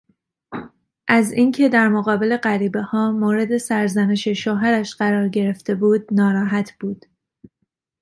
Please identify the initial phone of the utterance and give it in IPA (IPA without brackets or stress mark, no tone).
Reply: ʔ